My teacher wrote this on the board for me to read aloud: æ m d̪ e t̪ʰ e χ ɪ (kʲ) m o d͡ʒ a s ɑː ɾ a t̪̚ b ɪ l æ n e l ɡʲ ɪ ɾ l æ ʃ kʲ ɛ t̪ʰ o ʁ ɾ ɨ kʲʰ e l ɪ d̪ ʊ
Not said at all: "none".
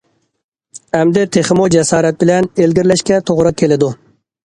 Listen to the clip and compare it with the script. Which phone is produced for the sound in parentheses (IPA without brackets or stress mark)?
none